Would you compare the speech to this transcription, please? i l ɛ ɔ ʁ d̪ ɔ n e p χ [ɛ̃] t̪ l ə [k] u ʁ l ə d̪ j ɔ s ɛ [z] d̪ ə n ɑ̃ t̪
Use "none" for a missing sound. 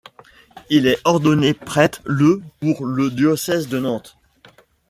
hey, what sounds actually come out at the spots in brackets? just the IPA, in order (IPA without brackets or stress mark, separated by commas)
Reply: ɛ, p, z